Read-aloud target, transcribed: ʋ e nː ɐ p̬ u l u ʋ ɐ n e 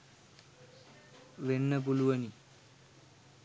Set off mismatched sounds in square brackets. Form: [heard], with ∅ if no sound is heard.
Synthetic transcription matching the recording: ʋ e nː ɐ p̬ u l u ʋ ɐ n [i]